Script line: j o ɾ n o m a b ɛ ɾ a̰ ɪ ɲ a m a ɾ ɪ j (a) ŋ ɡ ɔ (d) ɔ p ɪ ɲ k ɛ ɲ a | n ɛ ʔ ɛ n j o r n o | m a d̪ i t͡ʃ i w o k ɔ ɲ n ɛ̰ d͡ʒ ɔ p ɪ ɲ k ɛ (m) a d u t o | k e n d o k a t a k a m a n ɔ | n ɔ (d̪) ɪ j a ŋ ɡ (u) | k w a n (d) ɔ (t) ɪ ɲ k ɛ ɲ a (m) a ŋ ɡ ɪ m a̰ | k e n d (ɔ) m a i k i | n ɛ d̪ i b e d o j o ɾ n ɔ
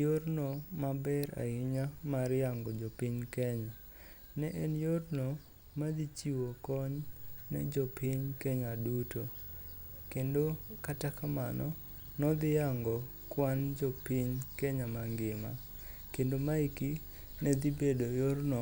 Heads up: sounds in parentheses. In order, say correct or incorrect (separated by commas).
correct, incorrect, incorrect, correct, incorrect, incorrect, incorrect, correct, incorrect